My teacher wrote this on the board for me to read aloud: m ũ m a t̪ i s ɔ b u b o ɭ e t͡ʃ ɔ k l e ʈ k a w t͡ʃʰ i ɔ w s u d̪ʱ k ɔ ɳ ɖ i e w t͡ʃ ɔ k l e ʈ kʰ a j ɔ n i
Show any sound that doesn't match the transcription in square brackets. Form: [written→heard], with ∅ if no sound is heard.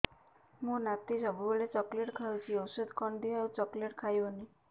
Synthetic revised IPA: m ũ [m→n] a t̪ i s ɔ b u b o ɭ e t͡ʃ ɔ k l e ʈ [k→kʰ] a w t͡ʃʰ i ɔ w s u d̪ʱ k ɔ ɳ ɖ i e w t͡ʃ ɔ k l e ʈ kʰ a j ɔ n i